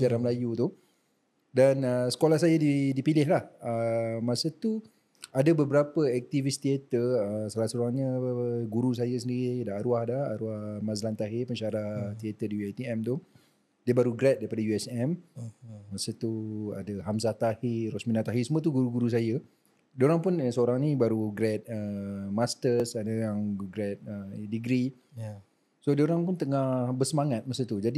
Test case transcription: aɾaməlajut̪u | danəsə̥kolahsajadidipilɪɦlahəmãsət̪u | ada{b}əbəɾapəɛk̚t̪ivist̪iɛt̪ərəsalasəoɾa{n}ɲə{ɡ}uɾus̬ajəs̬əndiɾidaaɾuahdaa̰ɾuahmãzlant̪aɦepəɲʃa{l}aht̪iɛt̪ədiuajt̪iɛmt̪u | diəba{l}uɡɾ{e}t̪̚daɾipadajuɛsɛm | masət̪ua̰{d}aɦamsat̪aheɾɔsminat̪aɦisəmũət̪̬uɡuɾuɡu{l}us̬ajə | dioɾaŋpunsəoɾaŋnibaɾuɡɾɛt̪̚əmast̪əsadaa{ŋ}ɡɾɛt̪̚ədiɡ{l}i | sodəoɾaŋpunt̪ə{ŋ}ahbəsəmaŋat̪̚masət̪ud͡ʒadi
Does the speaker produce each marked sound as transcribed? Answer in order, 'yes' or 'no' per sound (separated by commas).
yes, no, yes, no, no, no, yes, no, yes, no, yes